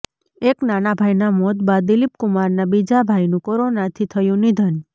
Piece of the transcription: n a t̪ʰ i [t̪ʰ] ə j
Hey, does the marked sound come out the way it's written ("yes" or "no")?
yes